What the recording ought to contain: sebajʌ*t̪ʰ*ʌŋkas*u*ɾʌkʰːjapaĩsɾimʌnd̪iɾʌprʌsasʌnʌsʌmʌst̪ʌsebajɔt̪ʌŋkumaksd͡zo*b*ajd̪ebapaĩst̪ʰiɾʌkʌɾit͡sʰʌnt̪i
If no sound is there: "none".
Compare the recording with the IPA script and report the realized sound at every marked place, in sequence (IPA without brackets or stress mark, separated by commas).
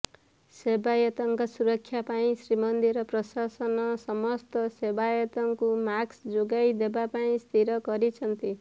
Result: t̪, u, ɡ